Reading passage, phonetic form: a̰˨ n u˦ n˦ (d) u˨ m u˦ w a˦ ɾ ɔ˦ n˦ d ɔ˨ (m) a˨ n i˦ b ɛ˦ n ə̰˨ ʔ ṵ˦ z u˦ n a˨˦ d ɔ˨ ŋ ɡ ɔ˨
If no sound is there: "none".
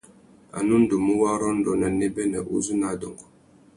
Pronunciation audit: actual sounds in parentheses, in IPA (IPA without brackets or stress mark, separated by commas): d, n